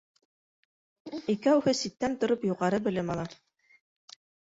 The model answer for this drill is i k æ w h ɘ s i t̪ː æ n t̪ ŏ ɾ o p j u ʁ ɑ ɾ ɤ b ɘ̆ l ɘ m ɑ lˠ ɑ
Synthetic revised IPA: i k æ w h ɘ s i t̪ː æ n t̪ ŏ ɾ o p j u ʁ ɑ ɾ ɤ b ɘ̆ l ɘ m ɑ lˠ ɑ